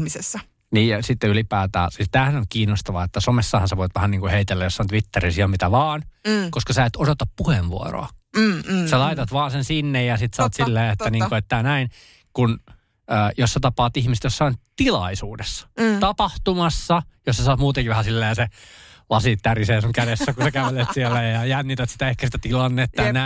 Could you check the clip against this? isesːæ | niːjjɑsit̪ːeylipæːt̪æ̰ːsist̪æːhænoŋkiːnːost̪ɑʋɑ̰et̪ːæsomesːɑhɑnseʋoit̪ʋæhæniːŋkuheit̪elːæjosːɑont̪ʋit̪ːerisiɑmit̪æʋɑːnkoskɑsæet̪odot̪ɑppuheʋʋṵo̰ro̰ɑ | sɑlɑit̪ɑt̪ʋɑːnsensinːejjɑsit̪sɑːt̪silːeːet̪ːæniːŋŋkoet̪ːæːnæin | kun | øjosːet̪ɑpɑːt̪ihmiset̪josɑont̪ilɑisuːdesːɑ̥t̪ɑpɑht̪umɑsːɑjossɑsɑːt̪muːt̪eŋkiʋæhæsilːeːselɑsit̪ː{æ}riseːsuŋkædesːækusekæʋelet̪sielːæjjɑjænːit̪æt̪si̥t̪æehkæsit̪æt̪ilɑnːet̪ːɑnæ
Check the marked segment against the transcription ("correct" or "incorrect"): correct